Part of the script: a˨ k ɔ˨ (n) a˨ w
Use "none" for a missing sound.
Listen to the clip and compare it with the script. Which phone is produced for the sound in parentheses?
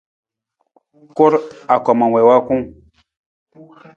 m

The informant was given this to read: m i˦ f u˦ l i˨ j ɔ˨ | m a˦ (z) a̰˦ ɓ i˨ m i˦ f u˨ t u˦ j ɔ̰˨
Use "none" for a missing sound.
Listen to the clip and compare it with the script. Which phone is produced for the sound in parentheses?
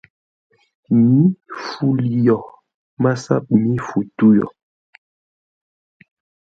s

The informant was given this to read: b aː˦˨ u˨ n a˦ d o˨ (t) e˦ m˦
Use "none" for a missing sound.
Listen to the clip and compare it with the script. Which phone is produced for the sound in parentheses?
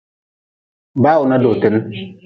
t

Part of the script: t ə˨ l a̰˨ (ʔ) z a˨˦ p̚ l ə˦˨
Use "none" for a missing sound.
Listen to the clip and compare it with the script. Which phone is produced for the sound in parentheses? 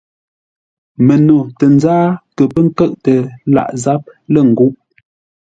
ʔ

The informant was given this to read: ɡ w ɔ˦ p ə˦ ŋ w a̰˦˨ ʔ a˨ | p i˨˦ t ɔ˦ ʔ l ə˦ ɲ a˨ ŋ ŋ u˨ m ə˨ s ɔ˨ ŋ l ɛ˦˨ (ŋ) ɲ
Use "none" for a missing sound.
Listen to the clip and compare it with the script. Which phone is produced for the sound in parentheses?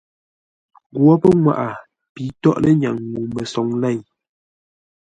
none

